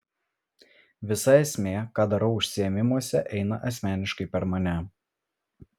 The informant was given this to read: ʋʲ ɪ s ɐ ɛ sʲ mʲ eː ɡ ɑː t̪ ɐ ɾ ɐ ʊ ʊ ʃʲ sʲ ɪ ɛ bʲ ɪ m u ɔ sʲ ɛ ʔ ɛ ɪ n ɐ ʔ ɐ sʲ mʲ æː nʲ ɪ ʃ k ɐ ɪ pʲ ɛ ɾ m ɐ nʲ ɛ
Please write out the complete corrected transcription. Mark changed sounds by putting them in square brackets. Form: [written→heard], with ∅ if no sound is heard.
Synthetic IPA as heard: ʋʲ ɪ s ɐ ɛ sʲ mʲ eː [ɡ→k] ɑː [t̪→d̪] ɐ ɾ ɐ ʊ ʊ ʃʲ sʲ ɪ ɛ [bʲ→mʲ] ɪ m u ɔ sʲ ɛ ʔ ɛ ɪ n ɐ ʔ ɐ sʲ mʲ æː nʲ ɪ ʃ k ɐ ɪ pʲ ɛ ɾ m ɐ nʲ ɛ